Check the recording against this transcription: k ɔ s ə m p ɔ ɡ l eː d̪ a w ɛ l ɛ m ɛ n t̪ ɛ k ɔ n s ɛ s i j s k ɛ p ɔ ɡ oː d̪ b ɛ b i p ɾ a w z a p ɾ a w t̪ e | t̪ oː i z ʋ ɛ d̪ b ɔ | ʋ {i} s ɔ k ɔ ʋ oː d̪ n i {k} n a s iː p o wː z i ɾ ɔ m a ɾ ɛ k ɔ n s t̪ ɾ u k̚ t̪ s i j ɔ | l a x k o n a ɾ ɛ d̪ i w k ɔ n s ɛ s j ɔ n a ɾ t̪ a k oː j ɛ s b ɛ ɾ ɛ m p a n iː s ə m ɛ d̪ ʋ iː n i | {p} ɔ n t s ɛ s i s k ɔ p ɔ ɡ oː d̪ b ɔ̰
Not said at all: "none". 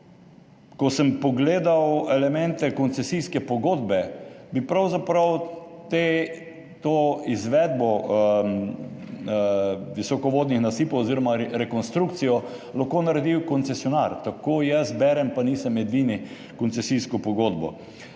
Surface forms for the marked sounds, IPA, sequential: i, x, k

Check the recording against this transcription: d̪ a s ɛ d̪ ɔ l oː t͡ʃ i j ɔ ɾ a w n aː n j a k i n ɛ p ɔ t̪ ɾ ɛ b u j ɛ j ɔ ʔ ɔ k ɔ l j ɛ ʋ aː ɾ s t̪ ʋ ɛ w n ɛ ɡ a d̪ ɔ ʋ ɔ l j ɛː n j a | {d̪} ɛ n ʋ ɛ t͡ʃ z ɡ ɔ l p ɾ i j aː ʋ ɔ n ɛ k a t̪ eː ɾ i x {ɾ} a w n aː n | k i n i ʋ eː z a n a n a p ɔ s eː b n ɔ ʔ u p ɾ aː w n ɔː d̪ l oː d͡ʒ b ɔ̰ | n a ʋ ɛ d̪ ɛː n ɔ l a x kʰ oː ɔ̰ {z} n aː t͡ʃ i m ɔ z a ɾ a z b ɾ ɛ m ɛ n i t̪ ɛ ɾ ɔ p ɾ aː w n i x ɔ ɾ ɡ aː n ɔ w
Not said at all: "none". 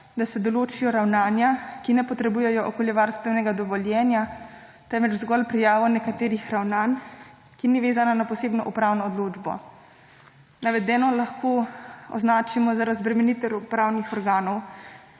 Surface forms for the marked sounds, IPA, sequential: t̪, ɾ, z

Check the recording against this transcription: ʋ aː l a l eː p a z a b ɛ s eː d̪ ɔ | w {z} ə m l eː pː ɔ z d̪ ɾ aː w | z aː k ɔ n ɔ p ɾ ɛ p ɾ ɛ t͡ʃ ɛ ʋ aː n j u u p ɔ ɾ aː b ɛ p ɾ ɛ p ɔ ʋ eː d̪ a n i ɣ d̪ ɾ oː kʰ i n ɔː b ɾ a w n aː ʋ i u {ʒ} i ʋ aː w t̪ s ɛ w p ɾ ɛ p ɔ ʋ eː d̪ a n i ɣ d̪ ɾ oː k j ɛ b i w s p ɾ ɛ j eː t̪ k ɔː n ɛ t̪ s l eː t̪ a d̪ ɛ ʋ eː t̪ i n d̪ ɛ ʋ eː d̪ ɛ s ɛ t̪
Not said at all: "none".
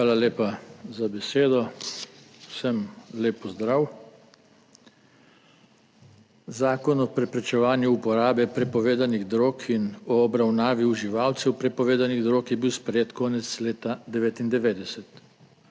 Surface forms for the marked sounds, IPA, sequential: s, ʒ

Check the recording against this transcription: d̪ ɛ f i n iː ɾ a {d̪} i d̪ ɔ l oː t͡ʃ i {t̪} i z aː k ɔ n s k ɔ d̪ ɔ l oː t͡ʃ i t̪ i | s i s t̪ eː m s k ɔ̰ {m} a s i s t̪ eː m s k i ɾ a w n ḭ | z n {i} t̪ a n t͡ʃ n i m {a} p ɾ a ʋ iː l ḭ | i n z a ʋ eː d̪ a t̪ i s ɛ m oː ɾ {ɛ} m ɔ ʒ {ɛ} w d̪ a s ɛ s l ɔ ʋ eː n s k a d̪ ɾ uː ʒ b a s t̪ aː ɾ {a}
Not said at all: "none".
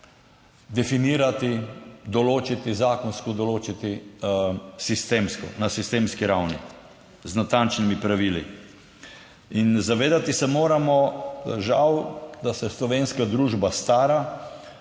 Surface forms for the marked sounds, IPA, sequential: t̪, t̪, n, a, i, a, a, a

